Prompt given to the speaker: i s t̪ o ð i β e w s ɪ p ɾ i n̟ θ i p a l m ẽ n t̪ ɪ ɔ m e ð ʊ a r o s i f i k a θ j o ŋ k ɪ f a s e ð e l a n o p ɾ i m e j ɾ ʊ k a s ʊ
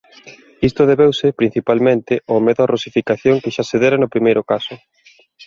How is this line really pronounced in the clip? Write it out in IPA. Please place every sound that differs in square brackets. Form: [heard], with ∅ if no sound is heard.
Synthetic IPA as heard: i s t̪ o ð [e] β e w s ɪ p ɾ i n̟ θ i p a l m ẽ n t̪ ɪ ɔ m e ð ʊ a r o s i f i k a θ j o ŋ k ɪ [ʃ] a s e ð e [ɾ] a n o p ɾ i m e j ɾ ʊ k a s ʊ